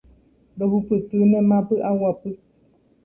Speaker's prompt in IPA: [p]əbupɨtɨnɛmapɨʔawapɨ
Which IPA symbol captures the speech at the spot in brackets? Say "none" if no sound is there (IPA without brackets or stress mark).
b